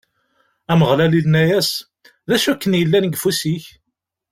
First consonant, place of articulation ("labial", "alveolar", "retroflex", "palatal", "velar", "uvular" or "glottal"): labial